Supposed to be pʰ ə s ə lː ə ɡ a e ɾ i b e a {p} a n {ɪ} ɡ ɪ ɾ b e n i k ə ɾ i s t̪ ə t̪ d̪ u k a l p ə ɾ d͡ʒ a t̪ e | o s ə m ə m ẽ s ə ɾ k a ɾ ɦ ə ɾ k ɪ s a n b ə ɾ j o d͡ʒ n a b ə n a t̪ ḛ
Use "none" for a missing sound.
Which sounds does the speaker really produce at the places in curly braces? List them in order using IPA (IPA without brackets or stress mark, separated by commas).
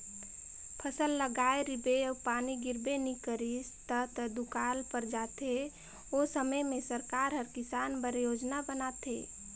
p, i